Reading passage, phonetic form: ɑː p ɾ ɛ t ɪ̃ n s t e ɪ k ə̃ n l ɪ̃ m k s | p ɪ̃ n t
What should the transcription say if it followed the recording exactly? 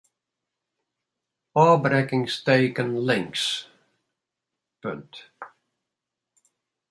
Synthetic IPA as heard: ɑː b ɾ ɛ k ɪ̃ ŋ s t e ɪ k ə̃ n l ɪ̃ ŋ k s | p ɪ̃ n t